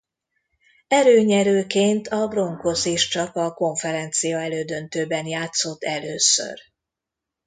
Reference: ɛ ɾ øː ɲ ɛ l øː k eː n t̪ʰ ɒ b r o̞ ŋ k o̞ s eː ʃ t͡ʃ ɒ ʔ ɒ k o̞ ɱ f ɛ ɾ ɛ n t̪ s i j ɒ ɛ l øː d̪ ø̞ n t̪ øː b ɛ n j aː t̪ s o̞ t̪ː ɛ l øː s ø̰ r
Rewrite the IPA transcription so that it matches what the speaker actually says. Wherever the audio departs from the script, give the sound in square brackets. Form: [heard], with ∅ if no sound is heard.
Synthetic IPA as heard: ɛ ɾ øː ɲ ɛ [ɾ] øː k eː n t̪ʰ ɒ b r o̞ ŋ k o̞ s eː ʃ t͡ʃ ɒ [k] ɒ k o̞ ɱ f ɛ ɾ ɛ n t̪ s i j ɒ ɛ l øː d̪ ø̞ n t̪ øː b ɛ n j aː t̪ s o̞ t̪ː ɛ l øː s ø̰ r

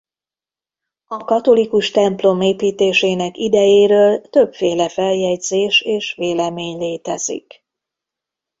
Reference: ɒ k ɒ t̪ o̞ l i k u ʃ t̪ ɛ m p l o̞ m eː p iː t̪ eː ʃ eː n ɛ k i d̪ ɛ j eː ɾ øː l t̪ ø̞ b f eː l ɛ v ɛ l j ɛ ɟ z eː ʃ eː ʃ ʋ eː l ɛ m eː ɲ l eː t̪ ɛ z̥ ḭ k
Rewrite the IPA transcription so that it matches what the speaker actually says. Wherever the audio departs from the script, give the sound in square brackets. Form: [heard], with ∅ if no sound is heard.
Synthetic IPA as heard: ɒ k ɒ t̪ o̞ l i k u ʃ t̪ ɛ m p l o̞ m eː p iː t̪ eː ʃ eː n ɛ k i d̪ ɛ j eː ɾ øː l t̪ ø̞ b f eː l ɛ [f] ɛ l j ɛ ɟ z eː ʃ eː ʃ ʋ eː l ɛ m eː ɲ l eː t̪ ɛ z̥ ḭ k

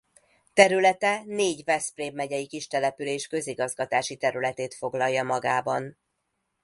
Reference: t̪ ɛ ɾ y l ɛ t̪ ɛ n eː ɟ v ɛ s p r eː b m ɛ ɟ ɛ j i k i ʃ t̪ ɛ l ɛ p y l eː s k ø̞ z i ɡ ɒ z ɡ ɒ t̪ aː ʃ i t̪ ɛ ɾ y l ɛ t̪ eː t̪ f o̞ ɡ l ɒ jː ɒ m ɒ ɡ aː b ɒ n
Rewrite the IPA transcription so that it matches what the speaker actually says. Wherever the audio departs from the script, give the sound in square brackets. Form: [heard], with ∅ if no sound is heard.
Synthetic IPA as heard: t̪ ɛ ɾ y l ɛ t̪ ɛ n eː ɟ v ɛ s p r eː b m ɛ ɟ ɛ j i k i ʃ t̪ ɛ l ɛ p y l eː [ʃ] k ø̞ z i ɡ ɒ z ɡ ɒ t̪ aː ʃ i t̪ ɛ ɾ y l ɛ t̪ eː t̪ f o̞ ɡ l ɒ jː ɒ m ɒ ɡ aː b ɒ n

